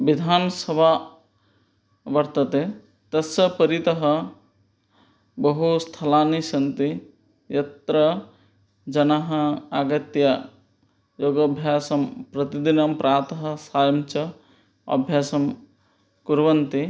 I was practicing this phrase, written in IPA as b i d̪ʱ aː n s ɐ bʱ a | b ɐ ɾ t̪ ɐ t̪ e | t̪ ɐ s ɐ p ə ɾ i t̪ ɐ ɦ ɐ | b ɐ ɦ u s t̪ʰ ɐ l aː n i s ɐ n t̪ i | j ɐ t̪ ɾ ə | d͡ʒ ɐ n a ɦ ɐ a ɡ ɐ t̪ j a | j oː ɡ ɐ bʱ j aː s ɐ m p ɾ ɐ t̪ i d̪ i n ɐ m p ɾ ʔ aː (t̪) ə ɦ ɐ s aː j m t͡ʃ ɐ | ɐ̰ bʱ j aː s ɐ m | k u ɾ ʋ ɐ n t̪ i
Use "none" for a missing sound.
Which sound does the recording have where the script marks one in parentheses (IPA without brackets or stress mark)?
t̪